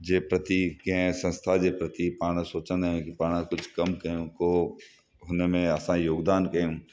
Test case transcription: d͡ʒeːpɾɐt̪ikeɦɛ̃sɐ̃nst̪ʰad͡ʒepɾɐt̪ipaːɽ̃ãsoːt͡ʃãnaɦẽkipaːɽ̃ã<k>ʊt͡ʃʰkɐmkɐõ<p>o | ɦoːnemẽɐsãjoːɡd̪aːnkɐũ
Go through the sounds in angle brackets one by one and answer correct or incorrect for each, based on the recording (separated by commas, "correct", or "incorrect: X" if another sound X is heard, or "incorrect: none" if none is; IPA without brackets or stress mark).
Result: correct, incorrect: k